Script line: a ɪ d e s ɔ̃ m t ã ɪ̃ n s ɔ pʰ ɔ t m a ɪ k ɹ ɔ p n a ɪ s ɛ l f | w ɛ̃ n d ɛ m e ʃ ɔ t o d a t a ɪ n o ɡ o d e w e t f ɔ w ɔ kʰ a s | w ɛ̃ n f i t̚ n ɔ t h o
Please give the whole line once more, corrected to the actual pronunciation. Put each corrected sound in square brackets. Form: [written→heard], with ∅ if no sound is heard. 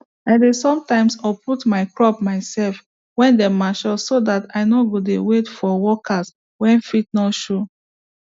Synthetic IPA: a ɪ d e s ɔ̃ m t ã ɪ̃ [n→m] s ɔ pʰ [ɔ→u] t m a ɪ k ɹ ɔ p [n→m] a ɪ s ɛ l f | w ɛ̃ n d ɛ m [e→a] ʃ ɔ [t→s] o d a t a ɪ n o ɡ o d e w e t f ɔ w ɔ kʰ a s | w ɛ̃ n f i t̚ n ɔ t [h→ʃ] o

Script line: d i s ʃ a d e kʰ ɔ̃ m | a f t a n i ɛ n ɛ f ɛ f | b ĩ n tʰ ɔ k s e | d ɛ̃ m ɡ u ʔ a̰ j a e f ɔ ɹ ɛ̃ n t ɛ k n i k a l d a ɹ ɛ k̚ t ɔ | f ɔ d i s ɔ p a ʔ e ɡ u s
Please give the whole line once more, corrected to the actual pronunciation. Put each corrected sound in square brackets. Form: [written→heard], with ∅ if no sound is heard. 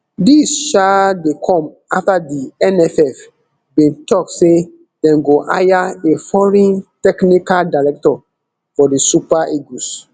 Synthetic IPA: d i s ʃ a d e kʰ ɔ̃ m | a f t a [n→d] i ɛ n ɛ f ɛ f | b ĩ n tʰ ɔ k s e | d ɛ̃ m ɡ [u→o] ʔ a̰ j a e f ɔ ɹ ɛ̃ n t ɛ k n i k a l d a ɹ ɛ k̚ t ɔ | f ɔ d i s [ɔ→u] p a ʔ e ɡ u s

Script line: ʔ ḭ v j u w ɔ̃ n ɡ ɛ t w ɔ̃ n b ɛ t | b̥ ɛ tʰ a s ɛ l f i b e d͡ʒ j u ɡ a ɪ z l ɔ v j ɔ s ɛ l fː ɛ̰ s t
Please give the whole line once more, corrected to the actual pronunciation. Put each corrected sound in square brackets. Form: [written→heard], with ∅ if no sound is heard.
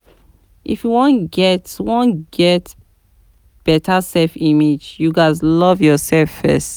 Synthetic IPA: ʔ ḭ [v→f] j u w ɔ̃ n ɡ ɛ t w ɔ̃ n [b→ɡ] ɛ t | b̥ ɛ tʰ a s ɛ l f i [b→m] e d͡ʒ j u ɡ a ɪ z l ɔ v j ɔ s ɛ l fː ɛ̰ s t

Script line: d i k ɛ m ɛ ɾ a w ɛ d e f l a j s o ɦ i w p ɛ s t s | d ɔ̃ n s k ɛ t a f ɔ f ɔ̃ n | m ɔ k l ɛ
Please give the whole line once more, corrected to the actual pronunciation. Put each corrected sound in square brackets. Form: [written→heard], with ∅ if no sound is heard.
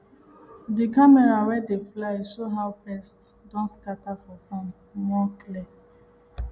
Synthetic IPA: d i k [ɛ→a] m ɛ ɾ a w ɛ d e f l a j s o ɦ [i→a] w p ɛ s t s | d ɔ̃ n s k [ɛ→a] t a f ɔ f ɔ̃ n | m ɔ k l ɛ

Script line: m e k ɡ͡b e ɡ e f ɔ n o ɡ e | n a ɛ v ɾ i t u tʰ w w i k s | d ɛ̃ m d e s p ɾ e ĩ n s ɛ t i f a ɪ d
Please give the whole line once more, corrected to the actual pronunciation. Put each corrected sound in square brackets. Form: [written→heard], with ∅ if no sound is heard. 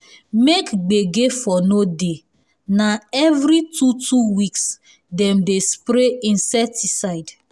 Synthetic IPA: m e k ɡ͡b e ɡ e f ɔ n o [ɡ→d] e | n a ɛ v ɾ i t u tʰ [w→u] w i k s | d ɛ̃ m d e s p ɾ e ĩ n s ɛ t i [f→s] a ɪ d

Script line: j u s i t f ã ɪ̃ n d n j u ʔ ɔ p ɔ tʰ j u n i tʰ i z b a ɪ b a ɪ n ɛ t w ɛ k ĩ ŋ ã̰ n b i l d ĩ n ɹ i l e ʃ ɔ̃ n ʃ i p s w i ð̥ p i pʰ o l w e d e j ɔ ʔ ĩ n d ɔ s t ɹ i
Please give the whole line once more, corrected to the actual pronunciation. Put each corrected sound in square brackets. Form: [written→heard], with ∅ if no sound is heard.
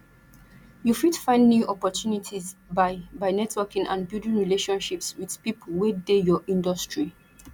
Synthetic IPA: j u [s→f] i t f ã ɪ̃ n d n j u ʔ ɔ p ɔ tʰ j u n i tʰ i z b a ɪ b a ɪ n ɛ t w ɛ k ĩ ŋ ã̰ n b i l d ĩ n ɹ i l e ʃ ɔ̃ n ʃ i p s w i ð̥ p i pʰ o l w e d e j ɔ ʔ ĩ n d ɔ s t ɹ i

